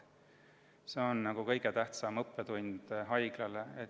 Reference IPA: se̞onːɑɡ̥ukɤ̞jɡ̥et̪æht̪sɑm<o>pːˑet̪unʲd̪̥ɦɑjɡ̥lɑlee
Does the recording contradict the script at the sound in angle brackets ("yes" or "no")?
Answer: yes